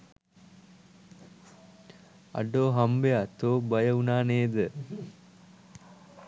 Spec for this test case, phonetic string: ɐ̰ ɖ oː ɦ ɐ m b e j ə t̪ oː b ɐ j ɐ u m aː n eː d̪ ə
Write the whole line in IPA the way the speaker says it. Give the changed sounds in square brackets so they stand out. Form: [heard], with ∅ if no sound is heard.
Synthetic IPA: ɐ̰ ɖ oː ɦ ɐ m b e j [a] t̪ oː b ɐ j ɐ u [n] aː n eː d̪ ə

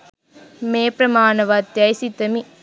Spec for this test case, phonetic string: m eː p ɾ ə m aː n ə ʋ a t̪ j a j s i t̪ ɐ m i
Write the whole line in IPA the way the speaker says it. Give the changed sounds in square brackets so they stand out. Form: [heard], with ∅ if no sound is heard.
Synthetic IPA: m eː p ɾ [ɐ] m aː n [ɐ] ʋ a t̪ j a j s i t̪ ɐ m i

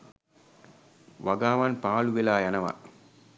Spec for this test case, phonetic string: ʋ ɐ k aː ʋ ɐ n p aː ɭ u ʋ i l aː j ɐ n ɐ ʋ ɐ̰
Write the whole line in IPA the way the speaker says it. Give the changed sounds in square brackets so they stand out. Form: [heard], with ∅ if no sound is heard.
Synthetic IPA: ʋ ɐ [ɡ] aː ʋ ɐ n p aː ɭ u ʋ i l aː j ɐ n ɐ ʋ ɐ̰

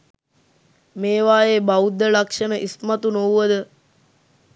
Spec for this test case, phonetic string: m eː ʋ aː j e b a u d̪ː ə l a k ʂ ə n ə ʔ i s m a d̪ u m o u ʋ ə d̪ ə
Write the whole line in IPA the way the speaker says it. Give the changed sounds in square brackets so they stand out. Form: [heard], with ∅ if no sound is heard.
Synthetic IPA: m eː ʋ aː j e b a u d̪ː ə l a k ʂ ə n ə ʔ i s m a [t̪] u [n] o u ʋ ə d̪ ə

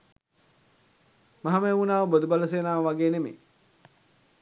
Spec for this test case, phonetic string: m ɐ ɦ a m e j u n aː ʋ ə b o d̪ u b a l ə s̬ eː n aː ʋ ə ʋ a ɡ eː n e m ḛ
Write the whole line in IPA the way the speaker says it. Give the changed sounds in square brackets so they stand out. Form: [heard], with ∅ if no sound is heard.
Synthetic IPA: m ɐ ɦ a m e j u n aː ʋ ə b o d̪ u b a l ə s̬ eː n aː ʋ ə ʋ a ɡ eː n e m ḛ

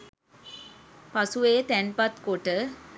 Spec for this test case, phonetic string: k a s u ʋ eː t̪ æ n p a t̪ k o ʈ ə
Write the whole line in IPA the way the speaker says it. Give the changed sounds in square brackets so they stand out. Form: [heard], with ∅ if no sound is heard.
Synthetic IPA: [p] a s u ʋ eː t̪ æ n p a t̪ k o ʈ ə

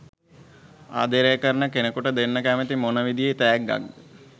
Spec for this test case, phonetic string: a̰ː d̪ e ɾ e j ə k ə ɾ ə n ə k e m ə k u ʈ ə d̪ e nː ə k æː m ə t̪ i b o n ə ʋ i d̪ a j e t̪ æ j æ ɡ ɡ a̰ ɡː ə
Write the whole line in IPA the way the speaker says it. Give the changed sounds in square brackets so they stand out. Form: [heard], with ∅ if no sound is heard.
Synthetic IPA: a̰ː d̪ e ɾ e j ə k ə ɾ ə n ə k e [n] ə k u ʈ ə d̪ e nː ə k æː m ə t̪ i [m] o n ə ʋ i d̪ [i] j e t̪ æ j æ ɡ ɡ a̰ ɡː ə

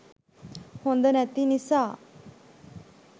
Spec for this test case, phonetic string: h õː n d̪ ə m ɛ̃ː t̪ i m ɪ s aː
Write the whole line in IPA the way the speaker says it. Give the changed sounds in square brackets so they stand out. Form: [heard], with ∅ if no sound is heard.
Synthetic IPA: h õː n d̪ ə [n] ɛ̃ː t̪ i [n] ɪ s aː

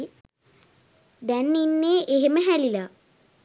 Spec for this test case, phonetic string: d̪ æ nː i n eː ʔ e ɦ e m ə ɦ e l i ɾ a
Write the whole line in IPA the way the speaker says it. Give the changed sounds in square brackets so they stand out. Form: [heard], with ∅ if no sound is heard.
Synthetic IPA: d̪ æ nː i [nː] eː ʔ e ɦ e m ə ɦ [æ] l i [l] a

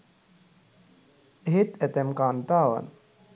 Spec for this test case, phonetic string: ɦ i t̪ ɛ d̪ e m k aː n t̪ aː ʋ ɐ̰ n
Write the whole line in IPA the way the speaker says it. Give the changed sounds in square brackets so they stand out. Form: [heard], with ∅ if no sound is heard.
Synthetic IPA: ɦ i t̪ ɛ [t̪] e m k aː n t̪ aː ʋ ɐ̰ n

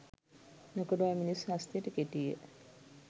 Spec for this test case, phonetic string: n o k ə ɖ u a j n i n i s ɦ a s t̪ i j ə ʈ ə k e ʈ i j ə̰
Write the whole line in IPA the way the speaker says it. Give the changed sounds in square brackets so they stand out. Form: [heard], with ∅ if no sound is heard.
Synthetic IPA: n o k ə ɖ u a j [m] i n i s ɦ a s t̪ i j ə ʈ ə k e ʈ i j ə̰

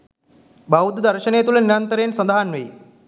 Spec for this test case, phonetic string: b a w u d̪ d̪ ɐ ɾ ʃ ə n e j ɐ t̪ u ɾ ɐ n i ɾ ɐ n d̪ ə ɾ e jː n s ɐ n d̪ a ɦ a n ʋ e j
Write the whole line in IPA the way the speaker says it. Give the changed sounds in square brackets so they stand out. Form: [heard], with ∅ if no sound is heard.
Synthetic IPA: b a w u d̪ d̪ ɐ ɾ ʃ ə n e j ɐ t̪ u [l] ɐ n i ɾ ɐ n [t̪] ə ɾ e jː n s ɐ n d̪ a ɦ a n ʋ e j

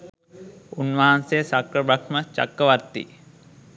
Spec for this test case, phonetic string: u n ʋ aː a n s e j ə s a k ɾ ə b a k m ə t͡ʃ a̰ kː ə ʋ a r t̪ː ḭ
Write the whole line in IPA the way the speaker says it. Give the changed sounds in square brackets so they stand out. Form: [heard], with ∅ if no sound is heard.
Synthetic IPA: u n ʋ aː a n s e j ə s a k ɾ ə b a k m ə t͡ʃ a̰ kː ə ʋ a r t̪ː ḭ

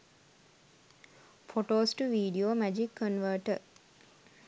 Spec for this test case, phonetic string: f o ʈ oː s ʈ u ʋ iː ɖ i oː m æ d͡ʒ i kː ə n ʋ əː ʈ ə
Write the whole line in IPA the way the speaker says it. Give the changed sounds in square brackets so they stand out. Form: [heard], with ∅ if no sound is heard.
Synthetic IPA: f o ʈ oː s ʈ u ʋ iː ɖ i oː m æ d͡ʒ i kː ə n ʋ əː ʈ ə

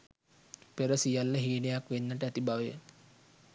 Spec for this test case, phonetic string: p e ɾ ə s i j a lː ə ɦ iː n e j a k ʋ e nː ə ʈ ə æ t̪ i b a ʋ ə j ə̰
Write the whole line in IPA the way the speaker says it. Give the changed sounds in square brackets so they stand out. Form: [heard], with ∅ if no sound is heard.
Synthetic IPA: p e ɾ ə s i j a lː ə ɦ iː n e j a k ʋ e nː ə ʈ ə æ t̪ i b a ʋ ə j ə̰

